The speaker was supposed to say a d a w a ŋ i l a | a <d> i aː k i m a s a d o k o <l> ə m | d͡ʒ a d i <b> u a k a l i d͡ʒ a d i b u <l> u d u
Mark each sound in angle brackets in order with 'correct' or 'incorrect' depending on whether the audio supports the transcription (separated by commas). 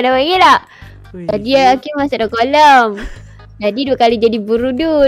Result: correct, correct, incorrect, incorrect